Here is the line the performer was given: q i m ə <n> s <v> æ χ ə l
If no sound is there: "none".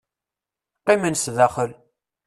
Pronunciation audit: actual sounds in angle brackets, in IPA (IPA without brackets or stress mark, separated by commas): n, ð